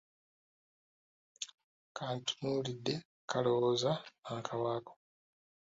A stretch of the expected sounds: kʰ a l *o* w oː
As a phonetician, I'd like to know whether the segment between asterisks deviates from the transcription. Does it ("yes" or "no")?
no